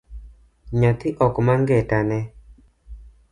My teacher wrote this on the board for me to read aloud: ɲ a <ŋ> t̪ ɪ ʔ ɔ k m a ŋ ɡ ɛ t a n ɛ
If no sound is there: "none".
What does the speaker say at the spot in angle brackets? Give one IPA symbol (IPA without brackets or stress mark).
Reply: none